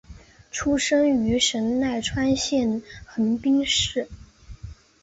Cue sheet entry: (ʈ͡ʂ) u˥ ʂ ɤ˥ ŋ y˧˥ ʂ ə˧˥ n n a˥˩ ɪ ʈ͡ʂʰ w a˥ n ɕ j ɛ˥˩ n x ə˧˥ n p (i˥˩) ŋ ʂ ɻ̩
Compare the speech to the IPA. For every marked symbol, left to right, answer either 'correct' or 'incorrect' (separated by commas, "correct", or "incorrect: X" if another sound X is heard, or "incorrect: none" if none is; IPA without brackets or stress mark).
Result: incorrect: ʈ͡ʂʰ, incorrect: i˥